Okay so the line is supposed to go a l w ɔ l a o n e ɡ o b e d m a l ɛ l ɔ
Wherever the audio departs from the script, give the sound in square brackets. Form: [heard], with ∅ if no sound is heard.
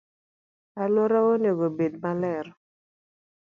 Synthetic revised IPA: a l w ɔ [ɾ] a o n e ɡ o b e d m a l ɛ [ɾ] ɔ